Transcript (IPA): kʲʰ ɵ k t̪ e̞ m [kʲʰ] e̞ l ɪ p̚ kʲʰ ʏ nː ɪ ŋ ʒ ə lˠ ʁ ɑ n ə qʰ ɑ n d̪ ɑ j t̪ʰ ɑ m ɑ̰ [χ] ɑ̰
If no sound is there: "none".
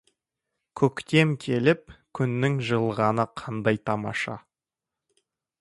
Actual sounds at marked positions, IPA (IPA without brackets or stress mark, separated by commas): kʲʰ, ʃ